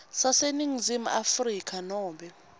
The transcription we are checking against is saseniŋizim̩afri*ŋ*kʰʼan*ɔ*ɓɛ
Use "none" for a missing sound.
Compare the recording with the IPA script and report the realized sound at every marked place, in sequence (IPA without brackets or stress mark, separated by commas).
none, ɔː